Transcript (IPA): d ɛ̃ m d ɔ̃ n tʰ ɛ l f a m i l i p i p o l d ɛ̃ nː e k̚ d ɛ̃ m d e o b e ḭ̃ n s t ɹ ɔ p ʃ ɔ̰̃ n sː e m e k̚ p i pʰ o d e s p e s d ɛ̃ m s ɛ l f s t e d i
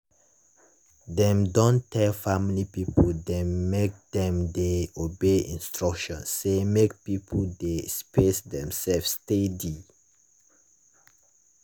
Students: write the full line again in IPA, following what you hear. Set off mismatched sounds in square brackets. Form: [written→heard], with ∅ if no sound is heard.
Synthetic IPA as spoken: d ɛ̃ m d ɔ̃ n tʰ ɛ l f a m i l i p i p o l d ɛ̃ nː e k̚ d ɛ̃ m d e o b e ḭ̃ n s t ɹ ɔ [p→k] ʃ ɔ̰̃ n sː e m e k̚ p i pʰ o d e s p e s d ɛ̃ m s ɛ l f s t e d i